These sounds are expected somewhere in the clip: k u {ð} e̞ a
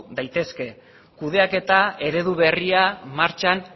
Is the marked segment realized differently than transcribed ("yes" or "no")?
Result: no